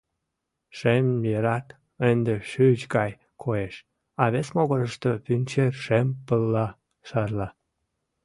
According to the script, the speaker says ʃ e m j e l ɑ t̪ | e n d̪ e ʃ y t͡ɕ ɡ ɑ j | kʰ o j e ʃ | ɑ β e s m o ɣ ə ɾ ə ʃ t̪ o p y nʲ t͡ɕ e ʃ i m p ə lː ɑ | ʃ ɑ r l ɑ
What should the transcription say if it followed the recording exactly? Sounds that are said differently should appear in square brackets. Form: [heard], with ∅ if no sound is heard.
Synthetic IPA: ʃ e m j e [ɾ] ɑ t̪ | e n d̪ e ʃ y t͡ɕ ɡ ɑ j | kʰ o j e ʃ | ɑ β e s m o ɣ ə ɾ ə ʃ t̪ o p y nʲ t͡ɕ e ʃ [e] m p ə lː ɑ | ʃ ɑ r l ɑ